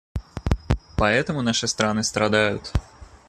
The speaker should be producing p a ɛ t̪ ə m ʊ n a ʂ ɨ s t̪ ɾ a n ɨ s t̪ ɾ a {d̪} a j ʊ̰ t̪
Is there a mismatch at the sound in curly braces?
no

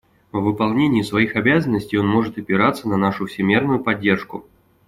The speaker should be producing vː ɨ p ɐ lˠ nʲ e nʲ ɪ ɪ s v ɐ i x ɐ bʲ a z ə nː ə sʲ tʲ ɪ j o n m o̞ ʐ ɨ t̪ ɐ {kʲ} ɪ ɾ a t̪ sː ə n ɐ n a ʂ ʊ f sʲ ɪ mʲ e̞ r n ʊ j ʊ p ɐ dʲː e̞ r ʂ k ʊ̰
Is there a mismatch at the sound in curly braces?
yes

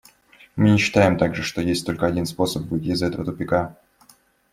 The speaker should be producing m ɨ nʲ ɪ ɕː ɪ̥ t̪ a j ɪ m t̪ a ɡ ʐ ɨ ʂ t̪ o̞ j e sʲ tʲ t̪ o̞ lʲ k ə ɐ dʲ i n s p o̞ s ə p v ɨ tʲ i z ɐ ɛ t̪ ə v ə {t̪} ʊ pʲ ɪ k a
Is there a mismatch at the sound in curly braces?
no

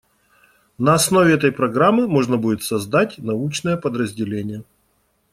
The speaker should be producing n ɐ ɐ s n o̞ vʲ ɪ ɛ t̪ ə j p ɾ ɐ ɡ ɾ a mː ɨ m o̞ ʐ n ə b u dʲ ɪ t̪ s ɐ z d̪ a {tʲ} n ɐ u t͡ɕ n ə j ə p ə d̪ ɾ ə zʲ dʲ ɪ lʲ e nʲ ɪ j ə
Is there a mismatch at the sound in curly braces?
no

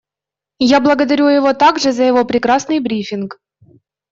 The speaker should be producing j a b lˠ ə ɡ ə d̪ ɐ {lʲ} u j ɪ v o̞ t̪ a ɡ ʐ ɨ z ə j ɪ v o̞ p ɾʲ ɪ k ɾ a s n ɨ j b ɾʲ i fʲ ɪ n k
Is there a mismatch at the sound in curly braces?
yes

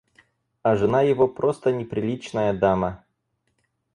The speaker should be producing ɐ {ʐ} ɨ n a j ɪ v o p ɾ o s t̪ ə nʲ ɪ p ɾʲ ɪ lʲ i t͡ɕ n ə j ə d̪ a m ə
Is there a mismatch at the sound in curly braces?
no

